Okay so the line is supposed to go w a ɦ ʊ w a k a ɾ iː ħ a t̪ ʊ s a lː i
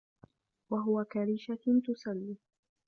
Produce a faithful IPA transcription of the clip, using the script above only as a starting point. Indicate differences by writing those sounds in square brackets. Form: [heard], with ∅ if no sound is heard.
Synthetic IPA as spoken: w a ɦ ʊ w a k a ɾ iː [ʃ] a t̪ ʊ s a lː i